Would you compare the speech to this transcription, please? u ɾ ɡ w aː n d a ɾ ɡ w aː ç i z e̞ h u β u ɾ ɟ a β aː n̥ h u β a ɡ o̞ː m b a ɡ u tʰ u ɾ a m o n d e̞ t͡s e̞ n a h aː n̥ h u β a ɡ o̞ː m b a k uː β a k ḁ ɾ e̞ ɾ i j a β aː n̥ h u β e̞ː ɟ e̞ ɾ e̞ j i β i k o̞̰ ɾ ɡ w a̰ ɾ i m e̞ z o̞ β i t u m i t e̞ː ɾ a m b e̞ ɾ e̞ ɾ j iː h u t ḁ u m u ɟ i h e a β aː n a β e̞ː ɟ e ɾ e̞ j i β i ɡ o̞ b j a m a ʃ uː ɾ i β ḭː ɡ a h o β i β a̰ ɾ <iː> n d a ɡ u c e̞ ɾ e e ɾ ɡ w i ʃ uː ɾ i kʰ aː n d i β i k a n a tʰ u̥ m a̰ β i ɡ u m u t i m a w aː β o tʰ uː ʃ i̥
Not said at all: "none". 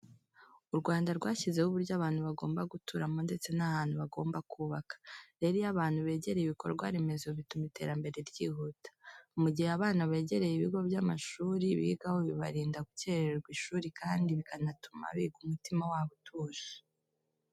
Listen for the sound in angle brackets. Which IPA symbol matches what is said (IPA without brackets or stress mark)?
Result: iː